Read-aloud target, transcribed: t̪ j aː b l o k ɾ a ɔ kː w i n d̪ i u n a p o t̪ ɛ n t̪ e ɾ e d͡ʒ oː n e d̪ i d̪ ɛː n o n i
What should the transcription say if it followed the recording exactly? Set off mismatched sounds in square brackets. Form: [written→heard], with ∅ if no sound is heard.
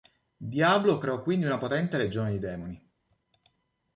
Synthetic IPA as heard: [t̪→d̪] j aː b l o k ɾ [a→e] ɔ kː w i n d̪ i u n a p o t̪ ɛ n t̪ e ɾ e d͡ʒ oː n e d̪ i d̪ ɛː [n→m] o n i